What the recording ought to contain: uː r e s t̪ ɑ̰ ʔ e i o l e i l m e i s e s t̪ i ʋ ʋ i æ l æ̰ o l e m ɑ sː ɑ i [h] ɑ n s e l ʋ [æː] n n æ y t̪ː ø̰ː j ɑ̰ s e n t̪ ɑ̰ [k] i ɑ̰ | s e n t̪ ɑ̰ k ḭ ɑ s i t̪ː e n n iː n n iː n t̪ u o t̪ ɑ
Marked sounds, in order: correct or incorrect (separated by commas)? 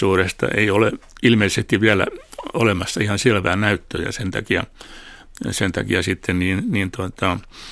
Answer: correct, correct, correct